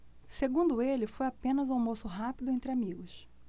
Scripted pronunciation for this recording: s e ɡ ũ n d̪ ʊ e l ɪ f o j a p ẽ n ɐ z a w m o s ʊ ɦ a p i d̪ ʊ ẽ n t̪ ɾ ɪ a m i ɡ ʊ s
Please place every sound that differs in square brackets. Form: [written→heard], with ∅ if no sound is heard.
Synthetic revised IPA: s e ɡ ũ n d̪ ʊ e l ɪ f o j a p ẽ n ɐ z a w m o s ʊ ɦ a p i d̪ ʊ ẽ n t̪ ɾ ɪ a m i ɡ ʊ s